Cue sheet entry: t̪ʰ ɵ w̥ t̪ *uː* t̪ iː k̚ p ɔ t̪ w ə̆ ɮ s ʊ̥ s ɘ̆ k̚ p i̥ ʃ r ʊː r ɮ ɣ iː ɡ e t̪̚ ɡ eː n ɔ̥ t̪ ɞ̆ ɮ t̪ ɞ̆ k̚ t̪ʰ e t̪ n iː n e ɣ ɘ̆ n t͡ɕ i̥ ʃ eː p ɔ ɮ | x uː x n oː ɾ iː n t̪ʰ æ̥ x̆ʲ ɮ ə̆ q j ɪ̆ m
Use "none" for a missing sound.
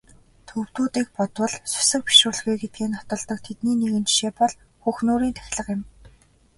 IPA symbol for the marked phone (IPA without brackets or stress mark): uː